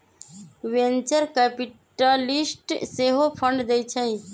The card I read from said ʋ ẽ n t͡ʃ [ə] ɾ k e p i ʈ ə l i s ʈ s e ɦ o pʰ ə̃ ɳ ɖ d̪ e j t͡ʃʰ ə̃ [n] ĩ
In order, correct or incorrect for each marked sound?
correct, incorrect: none

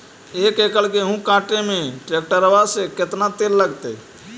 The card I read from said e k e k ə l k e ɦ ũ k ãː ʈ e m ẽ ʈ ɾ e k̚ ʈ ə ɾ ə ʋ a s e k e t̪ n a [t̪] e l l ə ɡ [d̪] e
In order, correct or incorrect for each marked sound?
correct, incorrect: t̪

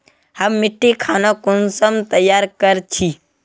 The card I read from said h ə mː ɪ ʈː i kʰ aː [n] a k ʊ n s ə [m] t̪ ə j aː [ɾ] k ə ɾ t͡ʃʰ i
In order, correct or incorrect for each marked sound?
correct, correct, correct

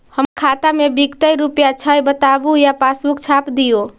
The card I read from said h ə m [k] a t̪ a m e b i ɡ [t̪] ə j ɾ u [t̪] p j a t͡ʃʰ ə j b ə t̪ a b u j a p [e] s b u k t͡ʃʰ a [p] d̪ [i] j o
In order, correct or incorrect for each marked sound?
incorrect: kʰ, correct, incorrect: none, incorrect: a, correct, correct

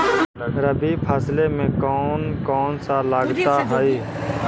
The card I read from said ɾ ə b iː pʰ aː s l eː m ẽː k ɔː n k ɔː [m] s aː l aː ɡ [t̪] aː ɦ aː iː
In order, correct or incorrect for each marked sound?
incorrect: n, correct

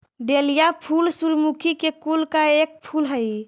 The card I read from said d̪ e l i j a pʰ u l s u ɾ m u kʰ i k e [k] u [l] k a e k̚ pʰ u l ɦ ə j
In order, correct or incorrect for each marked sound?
correct, correct

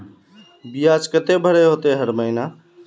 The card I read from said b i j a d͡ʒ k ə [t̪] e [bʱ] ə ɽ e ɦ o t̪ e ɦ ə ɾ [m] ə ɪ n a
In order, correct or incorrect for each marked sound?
correct, correct, correct

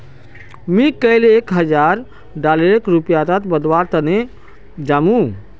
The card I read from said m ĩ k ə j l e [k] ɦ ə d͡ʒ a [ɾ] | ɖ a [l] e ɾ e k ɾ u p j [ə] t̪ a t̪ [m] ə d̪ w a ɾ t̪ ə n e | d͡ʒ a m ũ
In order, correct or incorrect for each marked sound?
correct, correct, correct, incorrect: a, incorrect: b

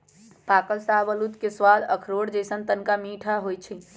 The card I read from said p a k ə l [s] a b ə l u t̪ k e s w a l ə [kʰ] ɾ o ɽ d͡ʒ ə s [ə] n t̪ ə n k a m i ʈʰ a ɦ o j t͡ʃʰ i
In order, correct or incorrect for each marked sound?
correct, correct, correct

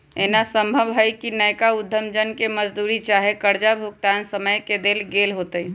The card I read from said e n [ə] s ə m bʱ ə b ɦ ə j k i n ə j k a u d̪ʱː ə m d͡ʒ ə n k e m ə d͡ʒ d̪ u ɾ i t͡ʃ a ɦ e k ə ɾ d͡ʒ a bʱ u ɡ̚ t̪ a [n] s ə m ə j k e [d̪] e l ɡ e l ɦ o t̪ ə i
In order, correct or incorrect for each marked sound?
incorrect: a, correct, correct

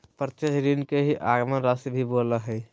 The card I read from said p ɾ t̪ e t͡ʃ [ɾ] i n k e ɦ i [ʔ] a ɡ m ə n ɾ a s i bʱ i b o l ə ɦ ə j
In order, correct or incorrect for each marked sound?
correct, correct

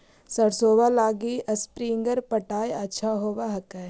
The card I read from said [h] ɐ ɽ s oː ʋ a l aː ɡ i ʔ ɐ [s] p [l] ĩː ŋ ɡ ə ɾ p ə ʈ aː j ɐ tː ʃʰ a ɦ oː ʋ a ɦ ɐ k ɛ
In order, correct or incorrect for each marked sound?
incorrect: s, correct, incorrect: ɾ

